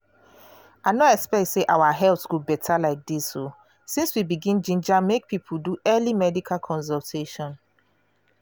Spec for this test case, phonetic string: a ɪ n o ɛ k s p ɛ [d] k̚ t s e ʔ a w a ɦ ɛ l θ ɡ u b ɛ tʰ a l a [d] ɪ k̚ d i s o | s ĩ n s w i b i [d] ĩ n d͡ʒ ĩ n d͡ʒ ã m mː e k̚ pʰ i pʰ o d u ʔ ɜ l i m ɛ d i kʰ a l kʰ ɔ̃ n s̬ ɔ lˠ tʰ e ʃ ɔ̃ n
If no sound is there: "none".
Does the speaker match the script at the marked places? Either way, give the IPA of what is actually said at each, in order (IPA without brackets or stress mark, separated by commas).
none, none, ɡ